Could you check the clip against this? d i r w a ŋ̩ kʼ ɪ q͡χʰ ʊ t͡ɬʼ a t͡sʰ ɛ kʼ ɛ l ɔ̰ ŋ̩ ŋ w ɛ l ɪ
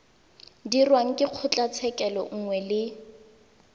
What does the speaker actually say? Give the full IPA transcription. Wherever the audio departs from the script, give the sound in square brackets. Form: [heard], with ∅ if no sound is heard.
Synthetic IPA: d i r w a ŋ̩ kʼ ɪ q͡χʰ ʊ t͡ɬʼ a t͡sʰ ɛ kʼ ɛ l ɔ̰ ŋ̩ ŋ w ɛ l ɪ